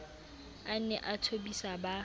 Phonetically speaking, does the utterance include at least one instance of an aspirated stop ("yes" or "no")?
yes